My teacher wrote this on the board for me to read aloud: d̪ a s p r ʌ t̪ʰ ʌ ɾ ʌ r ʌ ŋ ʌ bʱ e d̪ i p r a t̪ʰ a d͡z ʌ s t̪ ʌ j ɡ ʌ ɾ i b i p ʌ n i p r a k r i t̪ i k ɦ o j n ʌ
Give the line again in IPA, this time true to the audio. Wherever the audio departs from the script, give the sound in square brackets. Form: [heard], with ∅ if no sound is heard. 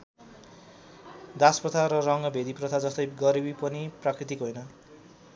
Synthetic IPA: d̪ a s p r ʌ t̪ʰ [a] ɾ ʌ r ʌ ŋ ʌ bʱ e d̪ i p r [ʌ] t̪ʰ a d͡z ʌ s t̪ ʌ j ɡ ʌ ɾ i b i p ʌ n i p r a k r i t̪ i k ɦ o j n ʌ